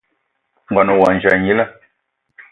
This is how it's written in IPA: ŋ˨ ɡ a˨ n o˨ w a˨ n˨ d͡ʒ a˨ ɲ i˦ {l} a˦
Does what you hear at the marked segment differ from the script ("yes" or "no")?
no